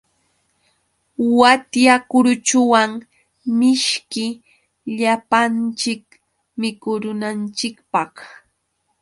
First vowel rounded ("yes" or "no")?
no